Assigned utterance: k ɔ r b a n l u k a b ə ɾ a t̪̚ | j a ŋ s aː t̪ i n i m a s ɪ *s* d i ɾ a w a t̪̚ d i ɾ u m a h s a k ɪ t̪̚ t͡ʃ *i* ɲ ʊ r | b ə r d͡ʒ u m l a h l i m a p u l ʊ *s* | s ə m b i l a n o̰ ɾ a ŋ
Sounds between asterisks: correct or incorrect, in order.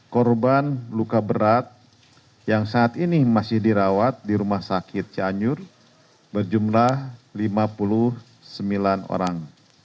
incorrect: h, incorrect: a, incorrect: h

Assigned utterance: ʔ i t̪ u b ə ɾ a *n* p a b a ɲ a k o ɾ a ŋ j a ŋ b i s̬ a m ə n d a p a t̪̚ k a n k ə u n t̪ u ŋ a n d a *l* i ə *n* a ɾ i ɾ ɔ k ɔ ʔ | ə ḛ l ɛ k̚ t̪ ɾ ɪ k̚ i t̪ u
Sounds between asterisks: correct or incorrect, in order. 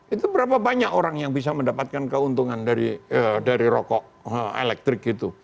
incorrect: none, incorrect: ɾ, incorrect: d

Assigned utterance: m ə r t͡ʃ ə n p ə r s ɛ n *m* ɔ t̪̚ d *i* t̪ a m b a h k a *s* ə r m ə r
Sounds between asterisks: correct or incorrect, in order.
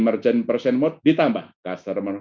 correct, correct, correct

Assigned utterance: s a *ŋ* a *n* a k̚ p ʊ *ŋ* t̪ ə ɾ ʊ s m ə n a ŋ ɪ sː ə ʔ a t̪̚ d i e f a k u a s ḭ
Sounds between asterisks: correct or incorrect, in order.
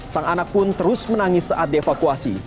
correct, correct, incorrect: n

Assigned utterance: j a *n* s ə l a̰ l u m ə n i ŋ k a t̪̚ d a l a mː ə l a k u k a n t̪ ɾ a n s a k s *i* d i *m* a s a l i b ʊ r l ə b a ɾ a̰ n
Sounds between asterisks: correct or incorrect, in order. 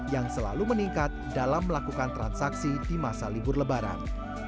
incorrect: ŋ, correct, correct

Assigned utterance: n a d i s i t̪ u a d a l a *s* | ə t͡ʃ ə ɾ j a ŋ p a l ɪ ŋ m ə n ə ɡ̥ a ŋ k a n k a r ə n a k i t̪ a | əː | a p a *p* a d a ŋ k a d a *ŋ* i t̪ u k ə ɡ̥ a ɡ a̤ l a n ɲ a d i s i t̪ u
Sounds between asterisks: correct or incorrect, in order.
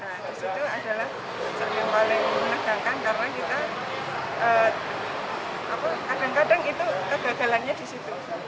incorrect: h, incorrect: k, correct

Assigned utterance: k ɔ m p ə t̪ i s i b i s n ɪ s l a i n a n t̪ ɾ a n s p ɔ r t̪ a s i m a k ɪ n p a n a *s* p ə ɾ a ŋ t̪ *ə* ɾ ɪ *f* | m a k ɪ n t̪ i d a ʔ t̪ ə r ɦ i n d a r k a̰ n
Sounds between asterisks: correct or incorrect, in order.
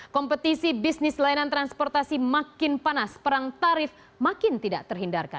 correct, incorrect: a, correct

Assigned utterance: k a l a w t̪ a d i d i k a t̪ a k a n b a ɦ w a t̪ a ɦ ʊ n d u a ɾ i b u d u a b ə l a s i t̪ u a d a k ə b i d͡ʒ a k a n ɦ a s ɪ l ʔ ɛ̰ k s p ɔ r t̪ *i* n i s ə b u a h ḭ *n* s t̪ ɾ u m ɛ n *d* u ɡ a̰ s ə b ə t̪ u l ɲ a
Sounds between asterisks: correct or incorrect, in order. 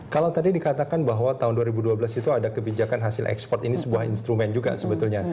correct, correct, incorrect: d͡ʒ

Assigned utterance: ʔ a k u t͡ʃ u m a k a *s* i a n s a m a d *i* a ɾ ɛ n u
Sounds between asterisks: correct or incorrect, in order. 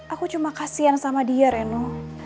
correct, correct

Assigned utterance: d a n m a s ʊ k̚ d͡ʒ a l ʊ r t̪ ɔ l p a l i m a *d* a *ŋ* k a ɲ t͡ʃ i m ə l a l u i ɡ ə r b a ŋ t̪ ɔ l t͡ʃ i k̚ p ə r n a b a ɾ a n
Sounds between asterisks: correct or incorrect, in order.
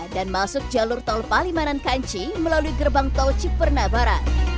incorrect: n, incorrect: n

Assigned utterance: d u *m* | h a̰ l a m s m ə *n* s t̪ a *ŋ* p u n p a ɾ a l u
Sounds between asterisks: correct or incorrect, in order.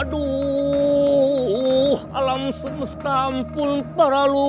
incorrect: none, incorrect: none, incorrect: m

